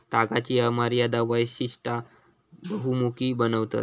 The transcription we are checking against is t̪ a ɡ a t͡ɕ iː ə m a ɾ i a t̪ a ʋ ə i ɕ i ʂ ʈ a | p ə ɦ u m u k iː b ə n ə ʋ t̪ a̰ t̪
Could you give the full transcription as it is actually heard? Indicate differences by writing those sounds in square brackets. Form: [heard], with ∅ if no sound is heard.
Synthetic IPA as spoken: t̪ a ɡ a t͡ɕ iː ə m a ɾ [j] a [d̪] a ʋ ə [j] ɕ i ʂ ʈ a | [b] ə ɦ u m u k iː b ə n ə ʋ t̪ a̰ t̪